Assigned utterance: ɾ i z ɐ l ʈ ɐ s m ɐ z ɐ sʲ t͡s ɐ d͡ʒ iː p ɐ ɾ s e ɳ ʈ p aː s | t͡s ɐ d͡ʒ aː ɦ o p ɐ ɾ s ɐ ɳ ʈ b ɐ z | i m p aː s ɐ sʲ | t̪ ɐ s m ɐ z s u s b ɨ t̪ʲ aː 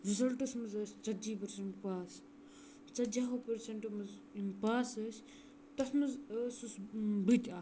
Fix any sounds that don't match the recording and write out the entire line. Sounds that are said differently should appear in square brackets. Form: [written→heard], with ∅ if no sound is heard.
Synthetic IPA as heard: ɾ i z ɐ l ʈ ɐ s m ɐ z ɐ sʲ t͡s ɐ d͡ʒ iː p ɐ ɾ s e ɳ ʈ p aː s | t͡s ɐ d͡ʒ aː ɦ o p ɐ ɾ s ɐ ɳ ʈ [b→m] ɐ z | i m p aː s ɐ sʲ | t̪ ɐ s m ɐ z s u s b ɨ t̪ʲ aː

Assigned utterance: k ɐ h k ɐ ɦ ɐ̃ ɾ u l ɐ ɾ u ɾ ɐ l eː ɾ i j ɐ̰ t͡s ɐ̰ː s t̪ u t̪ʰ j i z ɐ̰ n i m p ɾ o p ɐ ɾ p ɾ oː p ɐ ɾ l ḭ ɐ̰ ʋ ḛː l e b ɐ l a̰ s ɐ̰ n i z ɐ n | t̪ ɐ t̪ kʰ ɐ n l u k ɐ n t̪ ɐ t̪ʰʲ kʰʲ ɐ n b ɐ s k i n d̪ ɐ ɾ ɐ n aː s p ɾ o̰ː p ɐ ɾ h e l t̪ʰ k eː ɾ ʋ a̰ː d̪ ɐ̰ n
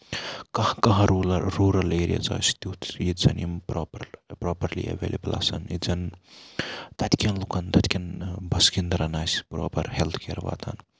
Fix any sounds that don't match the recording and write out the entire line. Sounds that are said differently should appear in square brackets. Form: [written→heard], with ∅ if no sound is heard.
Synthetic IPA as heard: k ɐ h k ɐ ɦ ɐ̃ ɾ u l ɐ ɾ u ɾ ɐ l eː ɾ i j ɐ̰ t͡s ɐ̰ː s t̪ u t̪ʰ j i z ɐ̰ n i m p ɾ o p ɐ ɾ p ɾ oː p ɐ ɾ l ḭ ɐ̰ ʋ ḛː l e b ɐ l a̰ s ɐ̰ n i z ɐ n | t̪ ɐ t̪ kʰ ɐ n l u k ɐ n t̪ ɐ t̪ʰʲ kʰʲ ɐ n b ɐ s k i n d̪ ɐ ɾ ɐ n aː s p ɾ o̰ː p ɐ ɾ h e l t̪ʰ k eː ɾ ʋ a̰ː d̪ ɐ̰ n

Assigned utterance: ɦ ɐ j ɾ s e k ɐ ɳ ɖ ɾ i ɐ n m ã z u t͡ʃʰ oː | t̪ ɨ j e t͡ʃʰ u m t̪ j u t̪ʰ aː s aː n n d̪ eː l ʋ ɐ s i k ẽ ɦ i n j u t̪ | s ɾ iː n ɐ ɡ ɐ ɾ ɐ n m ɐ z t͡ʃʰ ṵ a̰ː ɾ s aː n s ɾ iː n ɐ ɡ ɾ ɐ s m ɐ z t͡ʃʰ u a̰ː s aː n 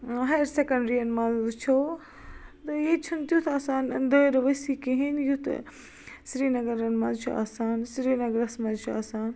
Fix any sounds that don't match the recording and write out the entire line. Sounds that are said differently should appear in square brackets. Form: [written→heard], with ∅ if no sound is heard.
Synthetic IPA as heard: ɦ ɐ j ɾ s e k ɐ ɳ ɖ ɾ i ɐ n m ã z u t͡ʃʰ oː | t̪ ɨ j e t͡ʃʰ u [m→n] t̪ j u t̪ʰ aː s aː n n d̪ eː [l→ɾ] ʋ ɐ s i k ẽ ɦ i n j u t̪ | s ɾ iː n ɐ ɡ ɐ ɾ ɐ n m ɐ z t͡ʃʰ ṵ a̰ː [ɾ→∅] s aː n s ɾ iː n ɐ ɡ ɾ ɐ s m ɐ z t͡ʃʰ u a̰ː s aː n

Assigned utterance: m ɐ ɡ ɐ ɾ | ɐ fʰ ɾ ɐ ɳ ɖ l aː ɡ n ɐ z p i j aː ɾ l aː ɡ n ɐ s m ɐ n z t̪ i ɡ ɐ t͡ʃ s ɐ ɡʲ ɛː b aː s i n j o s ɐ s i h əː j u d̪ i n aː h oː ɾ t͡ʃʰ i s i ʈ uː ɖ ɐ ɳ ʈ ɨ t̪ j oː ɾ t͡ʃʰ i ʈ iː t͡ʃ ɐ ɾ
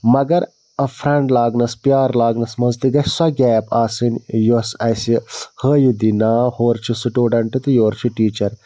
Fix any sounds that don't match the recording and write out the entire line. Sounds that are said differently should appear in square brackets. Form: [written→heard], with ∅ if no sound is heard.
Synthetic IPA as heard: m ɐ ɡ ɐ ɾ | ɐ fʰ ɾ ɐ ɳ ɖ l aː ɡ n ɐ [z→s] p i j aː ɾ l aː ɡ n ɐ s m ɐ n z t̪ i ɡ ɐ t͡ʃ s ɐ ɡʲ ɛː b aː s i n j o s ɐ s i h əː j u d̪ i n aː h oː ɾ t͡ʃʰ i s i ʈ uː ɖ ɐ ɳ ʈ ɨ t̪ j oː ɾ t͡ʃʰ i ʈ iː t͡ʃ ɐ ɾ

